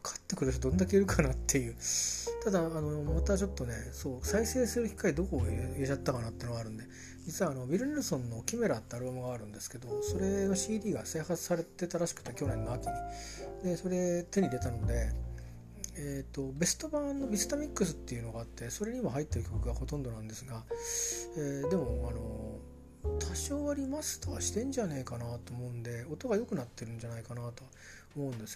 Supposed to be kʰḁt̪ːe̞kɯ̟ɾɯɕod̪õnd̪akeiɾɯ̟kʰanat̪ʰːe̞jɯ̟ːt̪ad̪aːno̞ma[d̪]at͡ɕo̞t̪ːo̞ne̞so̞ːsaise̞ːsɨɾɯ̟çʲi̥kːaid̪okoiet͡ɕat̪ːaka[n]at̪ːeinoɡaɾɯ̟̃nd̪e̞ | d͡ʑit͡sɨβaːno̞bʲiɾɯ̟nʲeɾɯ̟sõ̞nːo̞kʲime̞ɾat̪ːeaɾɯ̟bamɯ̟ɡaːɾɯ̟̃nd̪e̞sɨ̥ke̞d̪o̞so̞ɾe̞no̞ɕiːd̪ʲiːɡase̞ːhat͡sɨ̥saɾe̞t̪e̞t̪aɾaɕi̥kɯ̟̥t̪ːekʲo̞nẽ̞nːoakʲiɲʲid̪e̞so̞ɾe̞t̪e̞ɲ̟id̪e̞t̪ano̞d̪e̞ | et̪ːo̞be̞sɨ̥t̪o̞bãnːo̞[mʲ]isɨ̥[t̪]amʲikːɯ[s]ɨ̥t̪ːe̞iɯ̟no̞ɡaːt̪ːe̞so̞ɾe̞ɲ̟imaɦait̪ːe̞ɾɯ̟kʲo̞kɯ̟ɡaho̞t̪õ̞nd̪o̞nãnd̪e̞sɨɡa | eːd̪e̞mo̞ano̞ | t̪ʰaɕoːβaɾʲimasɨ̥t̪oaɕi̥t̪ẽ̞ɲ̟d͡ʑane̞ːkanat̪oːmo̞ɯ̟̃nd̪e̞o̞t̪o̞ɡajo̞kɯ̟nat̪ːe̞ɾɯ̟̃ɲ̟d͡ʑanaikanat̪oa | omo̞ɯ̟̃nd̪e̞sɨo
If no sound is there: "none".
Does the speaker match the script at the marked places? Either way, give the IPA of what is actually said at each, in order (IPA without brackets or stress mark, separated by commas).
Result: t̪, n, bʲ, t̪, s